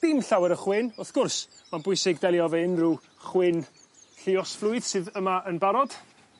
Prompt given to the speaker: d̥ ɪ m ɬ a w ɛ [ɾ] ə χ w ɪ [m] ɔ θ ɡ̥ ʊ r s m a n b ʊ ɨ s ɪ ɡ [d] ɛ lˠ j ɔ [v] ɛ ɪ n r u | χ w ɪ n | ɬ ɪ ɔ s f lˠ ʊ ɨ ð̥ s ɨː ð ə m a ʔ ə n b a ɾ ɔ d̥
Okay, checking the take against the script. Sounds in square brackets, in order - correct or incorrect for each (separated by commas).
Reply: correct, incorrect, correct, correct